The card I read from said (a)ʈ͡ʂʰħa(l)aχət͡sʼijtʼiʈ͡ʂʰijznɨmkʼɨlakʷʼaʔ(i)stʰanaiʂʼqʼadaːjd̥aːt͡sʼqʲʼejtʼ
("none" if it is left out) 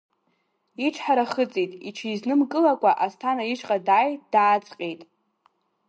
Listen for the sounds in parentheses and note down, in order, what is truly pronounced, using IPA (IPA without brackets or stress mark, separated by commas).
i, ɾ, a